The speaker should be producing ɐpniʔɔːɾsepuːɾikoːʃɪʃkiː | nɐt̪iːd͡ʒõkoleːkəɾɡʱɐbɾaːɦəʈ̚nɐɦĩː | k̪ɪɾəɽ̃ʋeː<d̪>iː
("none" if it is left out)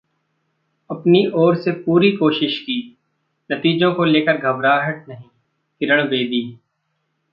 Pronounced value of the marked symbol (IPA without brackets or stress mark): d̪